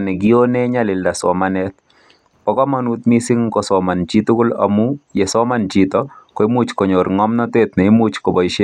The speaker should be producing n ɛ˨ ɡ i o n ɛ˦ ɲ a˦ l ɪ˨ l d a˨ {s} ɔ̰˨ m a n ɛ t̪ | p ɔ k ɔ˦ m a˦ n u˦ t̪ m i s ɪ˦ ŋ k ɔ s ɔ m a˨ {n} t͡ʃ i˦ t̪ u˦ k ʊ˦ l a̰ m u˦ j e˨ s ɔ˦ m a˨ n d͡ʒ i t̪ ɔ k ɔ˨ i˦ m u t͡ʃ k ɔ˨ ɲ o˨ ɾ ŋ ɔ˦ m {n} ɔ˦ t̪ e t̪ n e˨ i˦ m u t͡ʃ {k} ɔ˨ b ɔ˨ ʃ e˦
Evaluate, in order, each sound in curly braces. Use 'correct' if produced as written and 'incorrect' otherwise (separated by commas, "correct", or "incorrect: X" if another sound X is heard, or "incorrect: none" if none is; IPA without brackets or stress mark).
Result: correct, correct, correct, correct